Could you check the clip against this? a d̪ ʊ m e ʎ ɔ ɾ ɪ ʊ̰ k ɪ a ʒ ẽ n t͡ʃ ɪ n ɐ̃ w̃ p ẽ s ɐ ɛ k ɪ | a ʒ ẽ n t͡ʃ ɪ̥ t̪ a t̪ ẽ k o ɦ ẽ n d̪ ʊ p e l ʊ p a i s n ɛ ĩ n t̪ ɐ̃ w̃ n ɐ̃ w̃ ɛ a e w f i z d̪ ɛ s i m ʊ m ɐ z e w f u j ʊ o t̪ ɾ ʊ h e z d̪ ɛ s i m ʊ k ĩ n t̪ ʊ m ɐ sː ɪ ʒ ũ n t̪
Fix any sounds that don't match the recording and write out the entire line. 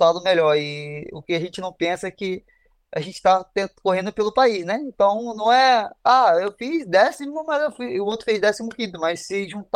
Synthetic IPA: a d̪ ʊ m e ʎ ɔ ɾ ɪ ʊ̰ k ɪ a ʒ ẽ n t͡ʃ ɪ n ɐ̃ w̃ p ẽ s ɐ ɛ k ɪ | a ʒ ẽ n t͡ʃ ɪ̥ t̪ a t̪ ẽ k o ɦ ẽ n d̪ ʊ p e l ʊ p a i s n ɛ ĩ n t̪ ɐ̃ w̃ n ɐ̃ w̃ ɛ a e w f i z d̪ ɛ s i m ʊ m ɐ z e w f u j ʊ o t̪ ɾ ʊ f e z d̪ ɛ s i m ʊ k ĩ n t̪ ʊ m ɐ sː ɪ ʒ ũ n t̪